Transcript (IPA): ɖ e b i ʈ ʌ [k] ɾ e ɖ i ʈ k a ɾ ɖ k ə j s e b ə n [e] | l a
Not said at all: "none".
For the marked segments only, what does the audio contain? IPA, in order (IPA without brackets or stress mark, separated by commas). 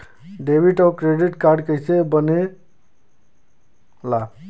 k, e